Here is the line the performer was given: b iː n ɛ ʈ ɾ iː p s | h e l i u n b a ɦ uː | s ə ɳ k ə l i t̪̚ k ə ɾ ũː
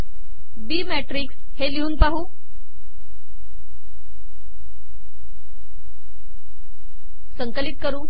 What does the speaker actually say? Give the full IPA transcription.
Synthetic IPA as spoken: b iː m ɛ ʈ ɾ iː k s | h e l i uː n p a ɦ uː | s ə ŋ k ə l i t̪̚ k ə ɾ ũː